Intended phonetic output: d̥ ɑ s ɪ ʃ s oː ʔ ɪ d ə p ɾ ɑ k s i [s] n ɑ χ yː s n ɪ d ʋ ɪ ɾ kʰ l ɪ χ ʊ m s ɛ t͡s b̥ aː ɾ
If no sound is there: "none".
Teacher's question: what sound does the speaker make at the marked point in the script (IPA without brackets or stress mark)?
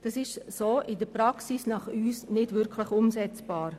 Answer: s